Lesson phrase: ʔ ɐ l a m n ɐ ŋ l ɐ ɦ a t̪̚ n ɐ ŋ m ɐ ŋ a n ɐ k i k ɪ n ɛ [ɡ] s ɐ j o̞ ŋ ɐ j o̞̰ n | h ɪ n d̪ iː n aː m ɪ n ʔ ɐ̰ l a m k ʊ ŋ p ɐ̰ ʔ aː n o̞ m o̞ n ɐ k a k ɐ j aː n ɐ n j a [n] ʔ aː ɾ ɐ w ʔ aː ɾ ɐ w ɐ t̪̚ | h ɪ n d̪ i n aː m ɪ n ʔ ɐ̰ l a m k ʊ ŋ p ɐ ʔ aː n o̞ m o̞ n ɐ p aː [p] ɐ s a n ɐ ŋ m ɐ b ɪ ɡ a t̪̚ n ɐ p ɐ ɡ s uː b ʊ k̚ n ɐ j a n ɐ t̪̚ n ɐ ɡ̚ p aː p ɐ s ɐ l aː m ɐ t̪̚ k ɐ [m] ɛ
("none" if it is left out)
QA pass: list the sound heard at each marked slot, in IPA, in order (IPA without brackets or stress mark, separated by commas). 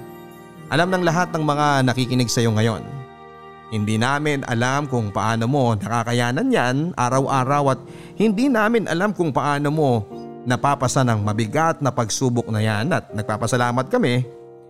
ɡ, n, p, m